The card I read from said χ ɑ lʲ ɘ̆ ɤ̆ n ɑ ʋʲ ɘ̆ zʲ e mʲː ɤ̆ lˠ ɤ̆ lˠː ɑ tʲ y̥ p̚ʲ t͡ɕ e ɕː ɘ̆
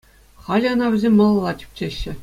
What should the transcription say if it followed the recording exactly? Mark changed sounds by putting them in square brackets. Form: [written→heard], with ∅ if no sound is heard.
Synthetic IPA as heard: χ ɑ lʲ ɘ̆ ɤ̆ n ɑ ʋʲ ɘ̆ zʲ e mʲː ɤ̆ lˠ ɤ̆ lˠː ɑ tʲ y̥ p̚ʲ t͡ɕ e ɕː ɘ̆